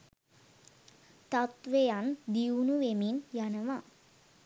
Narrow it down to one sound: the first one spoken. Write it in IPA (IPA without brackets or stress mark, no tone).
t̪